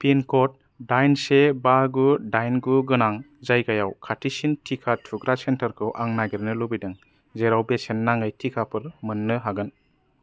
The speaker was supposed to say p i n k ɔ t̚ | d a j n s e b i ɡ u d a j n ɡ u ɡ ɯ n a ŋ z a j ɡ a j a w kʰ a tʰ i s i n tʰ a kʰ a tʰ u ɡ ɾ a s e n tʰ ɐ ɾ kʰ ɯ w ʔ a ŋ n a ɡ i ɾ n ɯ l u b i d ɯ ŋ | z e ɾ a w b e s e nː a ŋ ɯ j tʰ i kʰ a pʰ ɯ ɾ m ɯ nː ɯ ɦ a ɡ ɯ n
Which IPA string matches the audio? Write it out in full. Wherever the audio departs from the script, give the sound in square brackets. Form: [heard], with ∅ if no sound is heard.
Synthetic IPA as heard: p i n k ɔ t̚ | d a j n s e b [a] ɡ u d a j n ɡ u ɡ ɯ n a ŋ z a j ɡ a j a w kʰ a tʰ i s i n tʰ [i] kʰ a tʰ u ɡ ɾ a s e n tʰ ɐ ɾ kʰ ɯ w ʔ a ŋ n a ɡ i ɾ n ɯ l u b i d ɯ ŋ | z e ɾ a w b e s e nː a ŋ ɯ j tʰ i kʰ a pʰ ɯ ɾ m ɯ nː ɯ ɦ a ɡ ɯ n